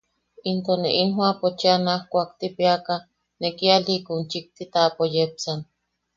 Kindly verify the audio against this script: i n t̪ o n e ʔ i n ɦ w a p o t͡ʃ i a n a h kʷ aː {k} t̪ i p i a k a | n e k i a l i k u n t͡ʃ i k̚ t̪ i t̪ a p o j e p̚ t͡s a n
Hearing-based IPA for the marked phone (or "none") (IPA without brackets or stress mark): k